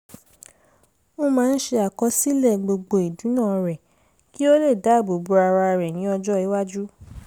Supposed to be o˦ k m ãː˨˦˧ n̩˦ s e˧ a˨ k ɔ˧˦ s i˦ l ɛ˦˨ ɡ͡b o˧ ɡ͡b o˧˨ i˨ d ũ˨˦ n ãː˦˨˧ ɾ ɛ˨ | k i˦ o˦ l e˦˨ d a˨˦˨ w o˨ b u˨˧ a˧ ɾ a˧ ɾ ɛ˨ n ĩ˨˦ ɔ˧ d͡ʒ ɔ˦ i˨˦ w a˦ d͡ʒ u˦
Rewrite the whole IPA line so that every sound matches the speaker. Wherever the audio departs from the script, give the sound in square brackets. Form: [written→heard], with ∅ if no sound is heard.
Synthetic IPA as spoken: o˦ [k→∅] m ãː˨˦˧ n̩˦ [s→ʃ] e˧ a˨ k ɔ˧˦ s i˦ l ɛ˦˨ ɡ͡b o˧ ɡ͡b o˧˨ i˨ d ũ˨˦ n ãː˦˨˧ ɾ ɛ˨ | k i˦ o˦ l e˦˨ d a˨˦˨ [w→b] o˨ b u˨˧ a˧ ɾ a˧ ɾ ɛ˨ n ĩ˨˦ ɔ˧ d͡ʒ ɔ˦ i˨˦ w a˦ d͡ʒ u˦